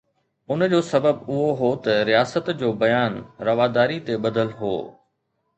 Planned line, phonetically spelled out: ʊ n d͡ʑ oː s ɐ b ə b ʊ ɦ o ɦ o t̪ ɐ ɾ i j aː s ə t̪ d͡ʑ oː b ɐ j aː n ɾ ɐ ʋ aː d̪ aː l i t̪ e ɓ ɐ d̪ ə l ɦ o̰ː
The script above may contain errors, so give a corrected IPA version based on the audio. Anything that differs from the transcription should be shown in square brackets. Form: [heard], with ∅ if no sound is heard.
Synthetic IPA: ʊ n d͡ʑ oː s ɐ b ə b ʊ ɦ o ɦ o t̪ ɐ ɾ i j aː s ə t̪ d͡ʑ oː b ɐ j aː n ɾ ɐ ʋ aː d̪ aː [ɾ] i t̪ e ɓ ɐ d̪ ə l ɦ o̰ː